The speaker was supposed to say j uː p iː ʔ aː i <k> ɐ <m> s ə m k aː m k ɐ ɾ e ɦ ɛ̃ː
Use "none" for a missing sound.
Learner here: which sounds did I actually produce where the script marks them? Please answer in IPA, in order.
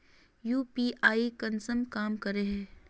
k, n

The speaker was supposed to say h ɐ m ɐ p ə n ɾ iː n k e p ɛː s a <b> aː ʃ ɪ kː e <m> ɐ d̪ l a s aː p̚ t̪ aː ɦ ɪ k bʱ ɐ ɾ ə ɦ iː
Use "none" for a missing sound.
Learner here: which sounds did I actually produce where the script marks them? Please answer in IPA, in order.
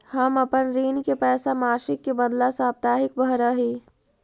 m, b

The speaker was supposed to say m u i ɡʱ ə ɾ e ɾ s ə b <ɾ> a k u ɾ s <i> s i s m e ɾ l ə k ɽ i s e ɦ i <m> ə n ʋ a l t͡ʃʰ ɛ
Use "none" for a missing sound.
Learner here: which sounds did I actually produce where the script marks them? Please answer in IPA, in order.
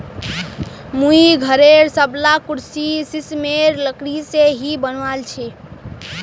l, i, b

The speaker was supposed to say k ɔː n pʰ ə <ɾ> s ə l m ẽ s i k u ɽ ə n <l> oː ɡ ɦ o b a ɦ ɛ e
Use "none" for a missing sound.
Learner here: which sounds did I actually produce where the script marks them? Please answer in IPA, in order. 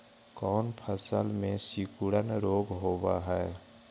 none, ɾ

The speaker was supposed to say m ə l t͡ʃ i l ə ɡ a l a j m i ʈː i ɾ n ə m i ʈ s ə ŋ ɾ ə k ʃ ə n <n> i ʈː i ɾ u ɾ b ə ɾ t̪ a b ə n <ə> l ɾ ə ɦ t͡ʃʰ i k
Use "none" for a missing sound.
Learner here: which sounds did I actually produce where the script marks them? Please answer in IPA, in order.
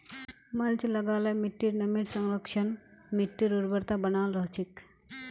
m, a

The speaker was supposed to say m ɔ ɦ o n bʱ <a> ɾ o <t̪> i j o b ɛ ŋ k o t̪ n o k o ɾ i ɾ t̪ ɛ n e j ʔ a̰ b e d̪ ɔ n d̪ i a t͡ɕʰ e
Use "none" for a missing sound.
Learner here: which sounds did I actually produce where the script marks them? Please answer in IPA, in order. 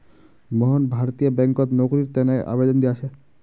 a, t̪

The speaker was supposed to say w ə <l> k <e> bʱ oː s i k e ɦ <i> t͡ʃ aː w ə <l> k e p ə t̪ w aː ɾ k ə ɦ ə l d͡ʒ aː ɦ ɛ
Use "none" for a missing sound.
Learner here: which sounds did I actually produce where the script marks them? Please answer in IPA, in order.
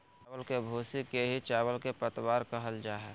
l, e, i, l

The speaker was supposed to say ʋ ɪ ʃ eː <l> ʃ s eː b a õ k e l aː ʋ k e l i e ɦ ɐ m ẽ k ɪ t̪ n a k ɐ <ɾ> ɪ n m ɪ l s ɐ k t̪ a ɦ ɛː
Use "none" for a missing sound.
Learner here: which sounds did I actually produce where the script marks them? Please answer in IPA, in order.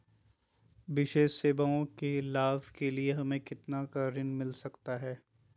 none, ɾ

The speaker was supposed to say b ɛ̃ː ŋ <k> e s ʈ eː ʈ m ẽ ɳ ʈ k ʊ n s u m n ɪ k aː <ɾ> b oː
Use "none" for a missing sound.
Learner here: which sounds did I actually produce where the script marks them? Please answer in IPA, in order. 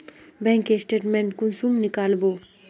k, l

